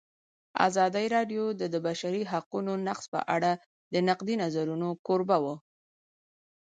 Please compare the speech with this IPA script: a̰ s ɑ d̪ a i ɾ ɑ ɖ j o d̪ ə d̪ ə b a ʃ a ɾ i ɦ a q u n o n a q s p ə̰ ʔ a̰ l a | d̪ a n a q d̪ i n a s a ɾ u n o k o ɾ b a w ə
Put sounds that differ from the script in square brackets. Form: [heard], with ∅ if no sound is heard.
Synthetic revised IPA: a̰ [z] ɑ d̪ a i ɾ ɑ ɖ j o d̪ ə d̪ ə b a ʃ a ɾ i ɦ a q u n o n a q s p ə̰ ʔ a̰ [ɽ] a | d̪ [ə] n a q d̪ i n a [z] a ɾ u n o k o ɾ b a w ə